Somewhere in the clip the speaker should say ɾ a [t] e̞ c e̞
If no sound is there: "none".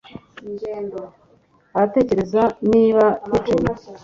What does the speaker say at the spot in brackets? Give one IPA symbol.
t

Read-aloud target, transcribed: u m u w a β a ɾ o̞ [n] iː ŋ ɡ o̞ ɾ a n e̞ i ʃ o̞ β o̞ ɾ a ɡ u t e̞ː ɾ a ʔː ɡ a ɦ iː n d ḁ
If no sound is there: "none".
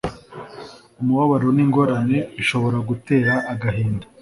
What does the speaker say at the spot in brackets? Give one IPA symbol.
n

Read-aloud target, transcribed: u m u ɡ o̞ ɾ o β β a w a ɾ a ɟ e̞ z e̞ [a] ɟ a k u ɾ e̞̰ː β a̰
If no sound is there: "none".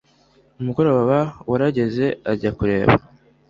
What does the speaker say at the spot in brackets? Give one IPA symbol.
a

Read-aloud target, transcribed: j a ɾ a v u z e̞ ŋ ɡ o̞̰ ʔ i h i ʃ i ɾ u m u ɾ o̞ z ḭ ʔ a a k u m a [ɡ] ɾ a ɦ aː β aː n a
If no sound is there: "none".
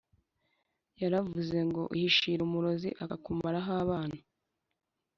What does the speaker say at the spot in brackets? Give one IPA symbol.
none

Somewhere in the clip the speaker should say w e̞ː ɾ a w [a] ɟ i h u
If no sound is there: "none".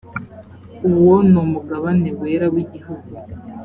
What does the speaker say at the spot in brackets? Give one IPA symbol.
i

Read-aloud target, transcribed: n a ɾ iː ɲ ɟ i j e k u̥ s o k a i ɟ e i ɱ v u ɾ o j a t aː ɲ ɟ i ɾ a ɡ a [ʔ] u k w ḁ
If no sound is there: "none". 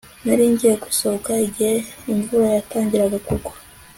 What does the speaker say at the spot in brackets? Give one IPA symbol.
k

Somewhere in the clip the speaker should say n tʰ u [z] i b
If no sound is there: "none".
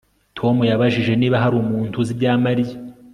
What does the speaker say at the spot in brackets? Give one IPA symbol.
z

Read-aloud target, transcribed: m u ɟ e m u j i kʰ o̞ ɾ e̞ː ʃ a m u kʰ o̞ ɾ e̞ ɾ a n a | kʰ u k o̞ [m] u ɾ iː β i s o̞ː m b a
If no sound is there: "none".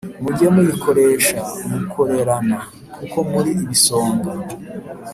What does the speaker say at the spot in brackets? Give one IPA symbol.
m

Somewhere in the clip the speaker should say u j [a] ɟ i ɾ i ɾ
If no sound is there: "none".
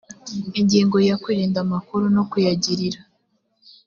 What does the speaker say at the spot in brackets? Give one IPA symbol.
a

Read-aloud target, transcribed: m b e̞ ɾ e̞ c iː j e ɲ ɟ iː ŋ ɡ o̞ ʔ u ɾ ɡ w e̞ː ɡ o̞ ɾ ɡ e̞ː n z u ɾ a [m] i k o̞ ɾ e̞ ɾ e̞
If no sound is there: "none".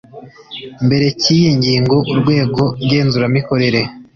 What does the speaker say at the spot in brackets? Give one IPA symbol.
m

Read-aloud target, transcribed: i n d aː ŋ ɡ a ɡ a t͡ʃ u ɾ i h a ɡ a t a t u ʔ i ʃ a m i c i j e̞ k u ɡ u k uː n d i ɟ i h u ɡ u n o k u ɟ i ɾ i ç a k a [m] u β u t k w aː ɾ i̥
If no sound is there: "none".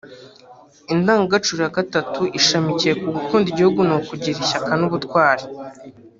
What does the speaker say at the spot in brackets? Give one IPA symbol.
n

